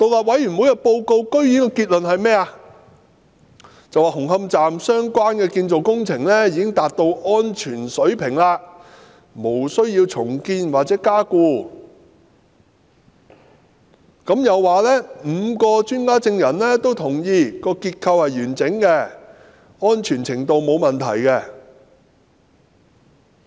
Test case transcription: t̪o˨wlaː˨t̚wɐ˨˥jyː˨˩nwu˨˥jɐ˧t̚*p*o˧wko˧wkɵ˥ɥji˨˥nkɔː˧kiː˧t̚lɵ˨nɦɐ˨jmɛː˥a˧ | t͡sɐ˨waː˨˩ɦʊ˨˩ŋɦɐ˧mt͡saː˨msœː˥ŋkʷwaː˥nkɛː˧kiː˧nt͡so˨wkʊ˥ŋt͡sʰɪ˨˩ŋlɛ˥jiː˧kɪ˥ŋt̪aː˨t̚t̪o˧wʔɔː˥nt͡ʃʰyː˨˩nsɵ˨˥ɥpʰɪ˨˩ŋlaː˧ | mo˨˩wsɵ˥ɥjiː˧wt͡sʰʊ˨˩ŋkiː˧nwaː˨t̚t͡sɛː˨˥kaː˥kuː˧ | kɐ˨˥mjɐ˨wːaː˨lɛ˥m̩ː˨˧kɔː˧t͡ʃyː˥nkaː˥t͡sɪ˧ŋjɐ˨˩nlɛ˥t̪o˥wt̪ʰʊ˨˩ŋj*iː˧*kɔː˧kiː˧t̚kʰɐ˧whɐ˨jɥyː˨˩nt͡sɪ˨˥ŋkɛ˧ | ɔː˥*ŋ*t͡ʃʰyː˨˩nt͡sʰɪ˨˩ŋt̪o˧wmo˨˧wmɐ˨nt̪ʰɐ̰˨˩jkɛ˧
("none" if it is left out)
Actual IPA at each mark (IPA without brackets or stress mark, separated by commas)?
p, iː˧, n